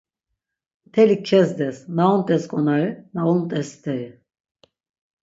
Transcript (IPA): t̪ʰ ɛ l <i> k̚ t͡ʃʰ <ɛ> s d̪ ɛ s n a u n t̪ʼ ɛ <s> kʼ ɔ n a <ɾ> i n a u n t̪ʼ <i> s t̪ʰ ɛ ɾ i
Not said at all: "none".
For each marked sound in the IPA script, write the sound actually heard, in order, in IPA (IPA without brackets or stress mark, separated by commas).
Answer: i, ɛ, s, ɾ, ɛ